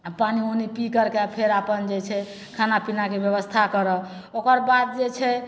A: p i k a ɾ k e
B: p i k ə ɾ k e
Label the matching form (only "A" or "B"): B